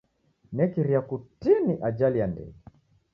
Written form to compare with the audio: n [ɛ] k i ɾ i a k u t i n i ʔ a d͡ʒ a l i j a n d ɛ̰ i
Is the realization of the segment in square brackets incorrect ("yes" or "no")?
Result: no